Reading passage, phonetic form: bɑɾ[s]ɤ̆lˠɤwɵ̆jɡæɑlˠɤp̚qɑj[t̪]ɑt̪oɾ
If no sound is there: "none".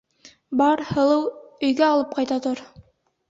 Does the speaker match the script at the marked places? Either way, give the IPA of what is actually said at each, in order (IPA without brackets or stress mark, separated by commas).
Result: h, t̪